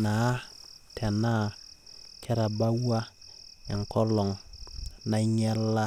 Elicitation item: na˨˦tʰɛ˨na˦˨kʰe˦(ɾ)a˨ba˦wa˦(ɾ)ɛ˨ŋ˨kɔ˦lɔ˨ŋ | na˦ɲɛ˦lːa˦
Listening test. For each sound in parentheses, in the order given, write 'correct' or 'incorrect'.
correct, incorrect

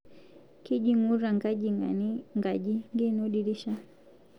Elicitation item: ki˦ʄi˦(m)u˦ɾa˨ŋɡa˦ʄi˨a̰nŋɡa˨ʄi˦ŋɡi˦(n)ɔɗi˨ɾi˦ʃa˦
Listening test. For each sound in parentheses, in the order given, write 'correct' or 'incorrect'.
incorrect, correct

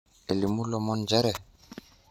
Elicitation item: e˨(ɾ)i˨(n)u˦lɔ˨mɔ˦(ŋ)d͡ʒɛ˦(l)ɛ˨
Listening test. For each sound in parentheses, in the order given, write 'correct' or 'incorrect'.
incorrect, incorrect, incorrect, incorrect

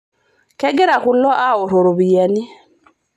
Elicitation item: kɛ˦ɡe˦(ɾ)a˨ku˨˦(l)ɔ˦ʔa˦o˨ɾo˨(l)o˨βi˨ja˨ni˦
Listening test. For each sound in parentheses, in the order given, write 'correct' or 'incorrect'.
correct, correct, incorrect

